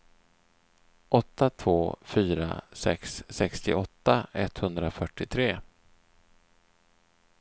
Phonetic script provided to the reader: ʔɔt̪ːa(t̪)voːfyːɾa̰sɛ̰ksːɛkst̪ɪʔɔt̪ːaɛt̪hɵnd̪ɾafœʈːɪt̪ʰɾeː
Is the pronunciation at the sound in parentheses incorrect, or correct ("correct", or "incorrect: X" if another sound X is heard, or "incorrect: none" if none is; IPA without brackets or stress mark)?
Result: incorrect: t̪ʰ